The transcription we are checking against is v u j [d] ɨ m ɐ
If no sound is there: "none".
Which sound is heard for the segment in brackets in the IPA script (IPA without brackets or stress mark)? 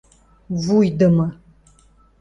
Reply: d